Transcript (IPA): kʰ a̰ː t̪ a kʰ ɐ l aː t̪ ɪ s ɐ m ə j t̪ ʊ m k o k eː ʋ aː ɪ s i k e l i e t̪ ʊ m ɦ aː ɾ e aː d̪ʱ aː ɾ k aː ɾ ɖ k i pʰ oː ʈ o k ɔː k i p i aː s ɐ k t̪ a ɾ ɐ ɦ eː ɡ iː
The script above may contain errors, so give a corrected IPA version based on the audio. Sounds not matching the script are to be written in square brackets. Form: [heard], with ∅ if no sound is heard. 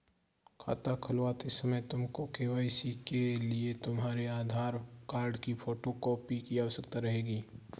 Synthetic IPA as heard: kʰ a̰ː t̪ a kʰ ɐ l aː t̪ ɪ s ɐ m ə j t̪ ʊ m k o k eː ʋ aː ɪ s i k e l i e t̪ ʊ m ɦ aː ɾ e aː d̪ʱ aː ɾ k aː ɾ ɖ k i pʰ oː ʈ o k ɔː [p] i [k] i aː s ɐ k t̪ a ɾ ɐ ɦ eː ɡ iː